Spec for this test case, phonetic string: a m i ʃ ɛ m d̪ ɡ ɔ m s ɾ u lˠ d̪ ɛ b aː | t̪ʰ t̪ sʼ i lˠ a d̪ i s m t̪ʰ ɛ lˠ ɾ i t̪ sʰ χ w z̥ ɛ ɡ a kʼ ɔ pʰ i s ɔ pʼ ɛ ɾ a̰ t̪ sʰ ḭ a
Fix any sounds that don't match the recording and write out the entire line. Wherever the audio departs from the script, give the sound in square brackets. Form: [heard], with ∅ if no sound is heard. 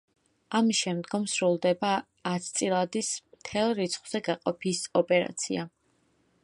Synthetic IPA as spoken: a m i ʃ ɛ m d̪ ɡ ɔ m s ɾ u lˠ d̪ ɛ b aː | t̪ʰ t̪ sʼ i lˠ a d̪ i s m t̪ʰ ɛ lˠ ɾ i t̪ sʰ χ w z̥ ɛ ɡ a [qʼ] ɔ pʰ i s ɔ pʼ ɛ ɾ a̰ t̪ sʰ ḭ a